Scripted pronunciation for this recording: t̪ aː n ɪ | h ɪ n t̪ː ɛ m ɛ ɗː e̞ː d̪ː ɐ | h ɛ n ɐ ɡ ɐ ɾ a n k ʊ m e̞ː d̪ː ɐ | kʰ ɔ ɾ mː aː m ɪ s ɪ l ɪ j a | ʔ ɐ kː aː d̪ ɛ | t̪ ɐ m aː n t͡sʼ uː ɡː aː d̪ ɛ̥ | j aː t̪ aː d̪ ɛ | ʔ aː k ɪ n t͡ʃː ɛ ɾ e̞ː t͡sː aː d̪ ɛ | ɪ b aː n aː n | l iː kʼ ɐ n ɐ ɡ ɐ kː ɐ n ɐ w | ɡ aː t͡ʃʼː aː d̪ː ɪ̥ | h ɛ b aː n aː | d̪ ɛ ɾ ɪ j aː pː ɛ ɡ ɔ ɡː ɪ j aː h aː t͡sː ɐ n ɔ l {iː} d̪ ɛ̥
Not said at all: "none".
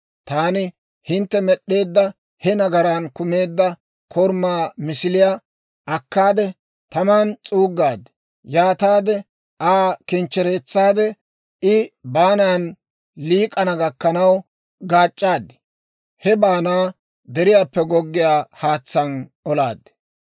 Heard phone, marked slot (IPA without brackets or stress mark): aː